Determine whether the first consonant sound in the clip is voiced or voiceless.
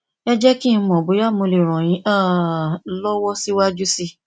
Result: voiced